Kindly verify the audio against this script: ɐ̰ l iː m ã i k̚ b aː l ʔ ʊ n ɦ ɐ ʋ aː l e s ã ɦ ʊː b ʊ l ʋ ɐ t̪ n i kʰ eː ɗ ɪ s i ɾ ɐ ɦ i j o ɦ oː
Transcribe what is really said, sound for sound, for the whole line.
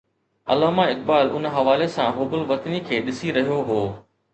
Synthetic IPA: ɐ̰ l aː m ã ɪ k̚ b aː l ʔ ʊ n ɦ ɐ ʋ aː l e s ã ɦ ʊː b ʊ l ʋ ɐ t̪ n i kʰ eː ɗ ɪ s i ɾ ɐ ɦ i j o ɦ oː